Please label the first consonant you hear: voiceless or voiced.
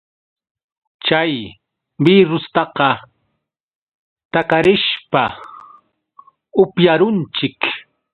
voiceless